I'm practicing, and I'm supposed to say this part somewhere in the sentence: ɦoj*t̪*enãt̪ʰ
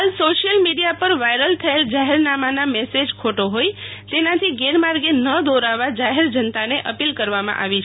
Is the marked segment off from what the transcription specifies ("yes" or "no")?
no